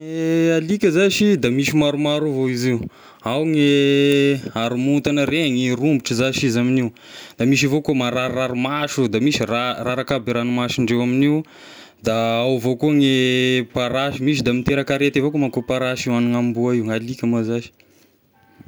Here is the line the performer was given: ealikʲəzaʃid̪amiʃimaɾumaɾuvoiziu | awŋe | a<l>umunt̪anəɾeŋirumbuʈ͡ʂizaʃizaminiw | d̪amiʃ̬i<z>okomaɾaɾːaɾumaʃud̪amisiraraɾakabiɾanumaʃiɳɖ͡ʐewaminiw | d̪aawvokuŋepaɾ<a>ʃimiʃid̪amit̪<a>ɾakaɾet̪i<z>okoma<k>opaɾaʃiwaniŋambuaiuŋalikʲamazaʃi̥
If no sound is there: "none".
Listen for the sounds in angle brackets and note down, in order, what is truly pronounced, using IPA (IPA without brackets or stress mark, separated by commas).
ɾ, v, a, e, v, k